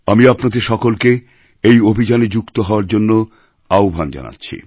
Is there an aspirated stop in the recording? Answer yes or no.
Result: no